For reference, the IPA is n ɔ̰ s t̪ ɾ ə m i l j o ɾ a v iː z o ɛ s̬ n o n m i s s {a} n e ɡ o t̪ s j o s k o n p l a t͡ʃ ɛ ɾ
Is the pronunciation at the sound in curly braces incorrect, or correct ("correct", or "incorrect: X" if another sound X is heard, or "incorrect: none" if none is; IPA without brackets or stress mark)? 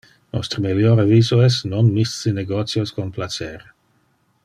incorrect: i